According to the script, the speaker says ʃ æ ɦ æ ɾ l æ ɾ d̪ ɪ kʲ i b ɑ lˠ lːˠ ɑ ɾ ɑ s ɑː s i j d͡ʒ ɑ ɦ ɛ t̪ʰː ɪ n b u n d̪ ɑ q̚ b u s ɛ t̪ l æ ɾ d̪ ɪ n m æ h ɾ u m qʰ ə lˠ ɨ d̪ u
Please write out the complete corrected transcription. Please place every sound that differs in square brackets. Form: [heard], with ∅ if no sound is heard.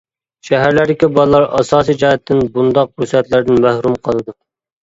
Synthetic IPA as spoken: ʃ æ ɦ æ ɾ l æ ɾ d̪ ɪ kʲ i b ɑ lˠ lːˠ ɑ ɾ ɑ s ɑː s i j d͡ʒ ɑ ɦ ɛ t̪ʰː ɪ n b u n d̪ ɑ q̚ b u s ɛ t̪ l æ ɾ d̪ ɪ n m æ h ɾ u m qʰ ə lˠ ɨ d̪ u